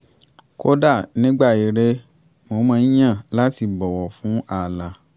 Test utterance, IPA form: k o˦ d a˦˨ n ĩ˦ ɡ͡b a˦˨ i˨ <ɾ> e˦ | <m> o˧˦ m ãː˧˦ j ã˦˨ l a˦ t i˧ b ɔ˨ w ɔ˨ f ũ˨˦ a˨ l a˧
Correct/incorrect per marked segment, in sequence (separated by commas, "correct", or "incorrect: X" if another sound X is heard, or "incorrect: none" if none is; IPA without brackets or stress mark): correct, correct